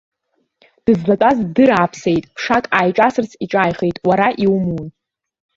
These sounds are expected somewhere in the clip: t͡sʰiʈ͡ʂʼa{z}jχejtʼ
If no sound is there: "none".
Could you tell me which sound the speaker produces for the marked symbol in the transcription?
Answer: none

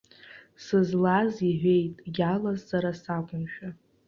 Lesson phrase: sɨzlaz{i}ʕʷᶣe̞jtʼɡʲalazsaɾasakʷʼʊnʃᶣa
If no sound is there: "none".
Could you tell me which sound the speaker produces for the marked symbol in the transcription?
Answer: i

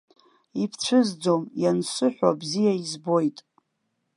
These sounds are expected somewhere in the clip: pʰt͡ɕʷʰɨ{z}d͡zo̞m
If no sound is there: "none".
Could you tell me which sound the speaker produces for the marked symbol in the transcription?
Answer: z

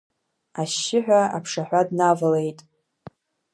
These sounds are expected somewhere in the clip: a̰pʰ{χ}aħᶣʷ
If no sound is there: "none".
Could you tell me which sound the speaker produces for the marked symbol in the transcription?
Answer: ʂ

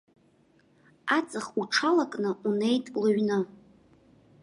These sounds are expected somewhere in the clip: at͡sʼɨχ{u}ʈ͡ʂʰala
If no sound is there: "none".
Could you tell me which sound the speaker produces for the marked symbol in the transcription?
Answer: u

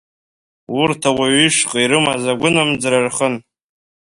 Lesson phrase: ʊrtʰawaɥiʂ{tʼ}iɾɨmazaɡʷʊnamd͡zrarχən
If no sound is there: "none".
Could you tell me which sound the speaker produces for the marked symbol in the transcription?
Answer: qʼ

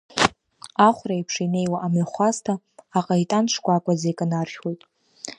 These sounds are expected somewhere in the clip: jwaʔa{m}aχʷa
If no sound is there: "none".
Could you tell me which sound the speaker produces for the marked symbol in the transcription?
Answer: m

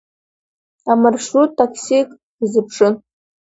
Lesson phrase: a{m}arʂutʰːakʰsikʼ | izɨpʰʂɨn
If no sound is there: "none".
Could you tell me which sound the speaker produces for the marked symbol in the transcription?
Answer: m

